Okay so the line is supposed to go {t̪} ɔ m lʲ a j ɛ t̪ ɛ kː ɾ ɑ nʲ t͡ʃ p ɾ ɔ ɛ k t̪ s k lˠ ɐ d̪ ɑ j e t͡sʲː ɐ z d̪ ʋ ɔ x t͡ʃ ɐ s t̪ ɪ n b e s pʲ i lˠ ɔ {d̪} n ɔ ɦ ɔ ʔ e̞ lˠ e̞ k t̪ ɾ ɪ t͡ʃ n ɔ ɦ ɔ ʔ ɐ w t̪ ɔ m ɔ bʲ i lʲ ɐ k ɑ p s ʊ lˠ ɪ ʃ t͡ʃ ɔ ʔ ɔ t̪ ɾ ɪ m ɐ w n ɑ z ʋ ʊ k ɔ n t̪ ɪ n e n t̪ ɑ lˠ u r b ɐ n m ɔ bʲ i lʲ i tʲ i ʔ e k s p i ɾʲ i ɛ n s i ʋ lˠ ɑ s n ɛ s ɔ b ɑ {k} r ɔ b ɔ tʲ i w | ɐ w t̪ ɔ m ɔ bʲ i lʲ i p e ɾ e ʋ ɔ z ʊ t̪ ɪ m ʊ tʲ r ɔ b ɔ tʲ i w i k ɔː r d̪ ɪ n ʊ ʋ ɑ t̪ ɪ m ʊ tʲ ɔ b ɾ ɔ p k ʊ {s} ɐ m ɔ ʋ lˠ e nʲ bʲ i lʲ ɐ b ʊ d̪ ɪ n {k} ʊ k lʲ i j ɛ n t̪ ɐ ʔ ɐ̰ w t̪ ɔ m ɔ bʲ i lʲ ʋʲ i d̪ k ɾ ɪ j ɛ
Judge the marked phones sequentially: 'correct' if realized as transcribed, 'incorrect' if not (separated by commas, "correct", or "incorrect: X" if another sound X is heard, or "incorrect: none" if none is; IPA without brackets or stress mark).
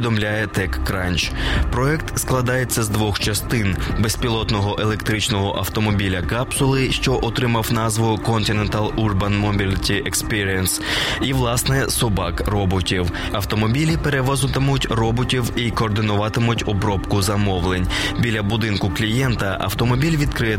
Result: incorrect: d̪, incorrect: t̪, correct, incorrect: z, correct